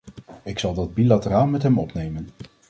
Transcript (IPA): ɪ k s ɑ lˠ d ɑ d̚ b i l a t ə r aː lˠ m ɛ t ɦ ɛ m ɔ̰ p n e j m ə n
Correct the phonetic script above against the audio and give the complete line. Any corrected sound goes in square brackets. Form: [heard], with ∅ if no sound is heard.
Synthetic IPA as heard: ɪ k s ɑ lˠ d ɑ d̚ b i l a t ə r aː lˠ m ɛ t ɦ ɛ m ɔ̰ p n e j m ə n